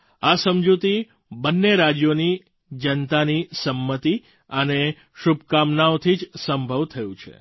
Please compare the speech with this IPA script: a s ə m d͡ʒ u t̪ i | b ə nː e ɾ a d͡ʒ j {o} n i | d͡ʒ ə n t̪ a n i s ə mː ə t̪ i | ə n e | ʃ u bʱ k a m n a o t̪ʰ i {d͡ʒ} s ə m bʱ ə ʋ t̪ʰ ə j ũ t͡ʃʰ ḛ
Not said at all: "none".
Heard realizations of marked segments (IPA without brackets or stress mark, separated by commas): o, d͡ʒ